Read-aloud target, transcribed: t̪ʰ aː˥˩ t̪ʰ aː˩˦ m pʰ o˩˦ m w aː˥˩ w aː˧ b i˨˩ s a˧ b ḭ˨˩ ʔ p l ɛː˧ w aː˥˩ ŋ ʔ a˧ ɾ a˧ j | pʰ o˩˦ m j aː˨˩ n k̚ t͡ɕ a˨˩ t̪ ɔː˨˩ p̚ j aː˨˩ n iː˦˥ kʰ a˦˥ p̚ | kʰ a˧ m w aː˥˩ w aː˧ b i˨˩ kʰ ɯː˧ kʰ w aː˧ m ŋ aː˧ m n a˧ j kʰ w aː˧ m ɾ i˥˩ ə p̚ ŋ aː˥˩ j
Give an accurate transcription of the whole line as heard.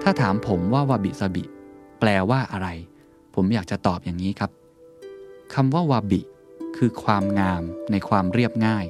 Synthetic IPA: t̪ʰ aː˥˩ t̪ʰ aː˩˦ m pʰ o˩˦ m w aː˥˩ w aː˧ b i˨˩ s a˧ b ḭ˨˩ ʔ p l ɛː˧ w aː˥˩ ʔ a˧ ɾ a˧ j | pʰ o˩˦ m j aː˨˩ k̚ t͡ɕ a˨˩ t̪ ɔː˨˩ p̚ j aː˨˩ ŋ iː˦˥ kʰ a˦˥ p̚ | kʰ a˧ m w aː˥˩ w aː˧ b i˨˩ kʰ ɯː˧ kʰ w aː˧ m ŋ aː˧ m n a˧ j kʰ w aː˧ m ɾ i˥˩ ə p̚ ŋ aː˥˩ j